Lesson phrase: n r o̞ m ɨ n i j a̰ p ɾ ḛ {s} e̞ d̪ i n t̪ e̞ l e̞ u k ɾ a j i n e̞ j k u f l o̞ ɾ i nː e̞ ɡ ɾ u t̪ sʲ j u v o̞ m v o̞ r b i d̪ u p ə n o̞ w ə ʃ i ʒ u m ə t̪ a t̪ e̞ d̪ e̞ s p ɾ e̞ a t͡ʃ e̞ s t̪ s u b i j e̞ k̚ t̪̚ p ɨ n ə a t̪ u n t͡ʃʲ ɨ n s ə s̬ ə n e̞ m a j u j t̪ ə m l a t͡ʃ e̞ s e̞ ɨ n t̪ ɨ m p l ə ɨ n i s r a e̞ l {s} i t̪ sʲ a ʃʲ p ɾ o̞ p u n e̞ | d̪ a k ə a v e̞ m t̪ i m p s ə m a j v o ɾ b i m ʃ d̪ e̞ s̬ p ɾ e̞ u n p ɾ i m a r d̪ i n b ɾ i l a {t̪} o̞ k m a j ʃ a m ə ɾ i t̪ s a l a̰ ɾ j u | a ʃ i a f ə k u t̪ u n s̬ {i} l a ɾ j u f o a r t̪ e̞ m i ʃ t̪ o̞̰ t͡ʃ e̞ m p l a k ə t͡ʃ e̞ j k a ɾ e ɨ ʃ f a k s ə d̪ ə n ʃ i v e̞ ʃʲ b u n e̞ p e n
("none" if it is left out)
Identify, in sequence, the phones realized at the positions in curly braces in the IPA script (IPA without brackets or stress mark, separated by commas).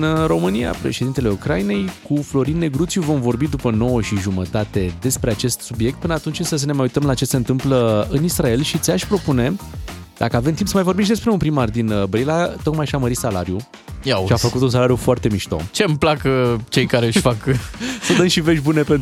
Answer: ʃ, ʃ, t̪, a